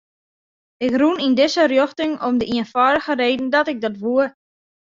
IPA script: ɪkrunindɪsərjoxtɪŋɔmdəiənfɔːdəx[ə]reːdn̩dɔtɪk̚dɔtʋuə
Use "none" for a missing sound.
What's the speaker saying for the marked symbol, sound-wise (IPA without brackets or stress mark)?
ə